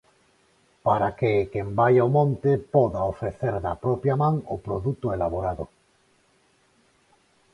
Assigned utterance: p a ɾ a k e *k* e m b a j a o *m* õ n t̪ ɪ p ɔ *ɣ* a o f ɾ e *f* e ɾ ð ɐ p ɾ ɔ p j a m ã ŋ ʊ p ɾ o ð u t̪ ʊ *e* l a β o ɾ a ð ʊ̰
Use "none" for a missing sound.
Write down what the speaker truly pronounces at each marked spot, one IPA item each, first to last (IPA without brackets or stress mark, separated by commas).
k, m, ð, θ, e